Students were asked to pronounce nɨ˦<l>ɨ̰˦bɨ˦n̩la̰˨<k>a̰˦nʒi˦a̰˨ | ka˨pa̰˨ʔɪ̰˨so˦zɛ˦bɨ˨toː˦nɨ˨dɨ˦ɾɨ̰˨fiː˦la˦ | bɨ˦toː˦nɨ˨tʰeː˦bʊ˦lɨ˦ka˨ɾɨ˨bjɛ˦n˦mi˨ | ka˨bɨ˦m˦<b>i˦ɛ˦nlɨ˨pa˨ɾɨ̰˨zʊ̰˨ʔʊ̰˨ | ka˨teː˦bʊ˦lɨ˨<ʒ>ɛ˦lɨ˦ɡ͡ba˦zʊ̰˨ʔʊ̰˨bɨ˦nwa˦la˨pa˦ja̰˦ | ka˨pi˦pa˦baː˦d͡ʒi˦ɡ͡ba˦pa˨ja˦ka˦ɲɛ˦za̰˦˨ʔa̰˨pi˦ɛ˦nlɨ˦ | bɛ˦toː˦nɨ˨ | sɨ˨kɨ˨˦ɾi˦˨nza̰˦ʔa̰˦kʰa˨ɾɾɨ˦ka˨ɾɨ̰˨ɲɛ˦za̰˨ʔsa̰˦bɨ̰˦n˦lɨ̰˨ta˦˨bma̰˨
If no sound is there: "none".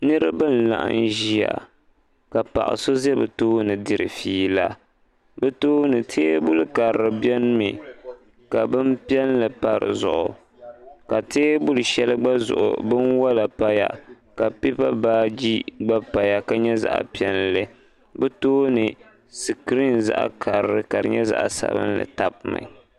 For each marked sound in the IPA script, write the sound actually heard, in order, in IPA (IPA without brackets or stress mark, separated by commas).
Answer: ɾ, ʔ, p, ʃ